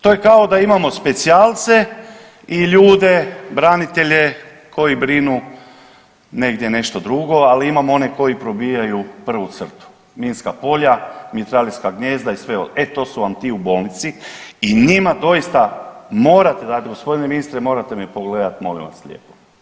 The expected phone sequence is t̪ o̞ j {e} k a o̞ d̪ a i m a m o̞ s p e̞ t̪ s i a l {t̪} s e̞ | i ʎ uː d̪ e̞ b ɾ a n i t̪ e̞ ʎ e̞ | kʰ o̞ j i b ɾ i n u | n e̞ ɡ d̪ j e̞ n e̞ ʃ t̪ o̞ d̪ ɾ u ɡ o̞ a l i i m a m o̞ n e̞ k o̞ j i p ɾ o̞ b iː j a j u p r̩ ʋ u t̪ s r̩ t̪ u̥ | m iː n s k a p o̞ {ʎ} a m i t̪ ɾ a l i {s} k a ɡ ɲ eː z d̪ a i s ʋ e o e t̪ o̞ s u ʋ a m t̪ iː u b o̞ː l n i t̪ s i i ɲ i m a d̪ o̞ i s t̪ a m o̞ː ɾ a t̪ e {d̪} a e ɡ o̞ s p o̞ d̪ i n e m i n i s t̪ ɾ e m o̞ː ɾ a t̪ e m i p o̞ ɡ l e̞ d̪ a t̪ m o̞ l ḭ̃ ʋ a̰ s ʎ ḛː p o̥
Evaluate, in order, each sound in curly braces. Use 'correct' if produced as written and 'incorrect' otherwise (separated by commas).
correct, correct, correct, correct, correct